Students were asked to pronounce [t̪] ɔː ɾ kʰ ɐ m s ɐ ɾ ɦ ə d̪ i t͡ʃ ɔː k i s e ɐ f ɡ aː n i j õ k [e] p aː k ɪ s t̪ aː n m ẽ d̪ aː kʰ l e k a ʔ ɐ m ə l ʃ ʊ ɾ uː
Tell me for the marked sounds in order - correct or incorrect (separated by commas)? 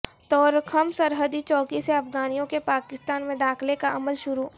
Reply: correct, correct